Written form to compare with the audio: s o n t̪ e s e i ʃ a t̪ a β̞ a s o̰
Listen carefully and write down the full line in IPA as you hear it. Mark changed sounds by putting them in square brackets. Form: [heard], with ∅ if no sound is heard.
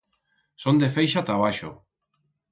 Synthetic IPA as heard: s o n [d̪] e [f] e [j] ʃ a t̪ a β̞ a [ʃ] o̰